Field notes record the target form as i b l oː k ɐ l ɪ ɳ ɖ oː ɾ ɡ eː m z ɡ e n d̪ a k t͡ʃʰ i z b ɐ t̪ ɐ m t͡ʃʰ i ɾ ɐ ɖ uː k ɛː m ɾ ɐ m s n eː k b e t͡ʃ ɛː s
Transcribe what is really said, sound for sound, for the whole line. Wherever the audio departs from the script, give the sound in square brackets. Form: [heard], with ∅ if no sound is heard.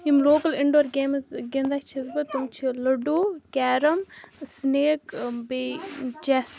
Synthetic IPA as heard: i [m] l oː k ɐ l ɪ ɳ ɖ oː ɾ ɡ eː m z ɡ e n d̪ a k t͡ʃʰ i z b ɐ t̪ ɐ m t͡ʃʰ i [l] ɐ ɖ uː k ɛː [∅] ɾ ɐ m s n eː k b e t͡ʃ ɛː s